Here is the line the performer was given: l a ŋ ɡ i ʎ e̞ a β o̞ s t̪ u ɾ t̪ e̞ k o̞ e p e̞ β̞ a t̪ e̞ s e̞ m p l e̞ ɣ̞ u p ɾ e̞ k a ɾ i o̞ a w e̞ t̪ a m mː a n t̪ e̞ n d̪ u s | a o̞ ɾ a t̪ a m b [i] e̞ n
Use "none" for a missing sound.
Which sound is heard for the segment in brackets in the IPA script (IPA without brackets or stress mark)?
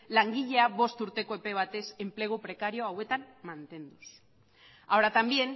j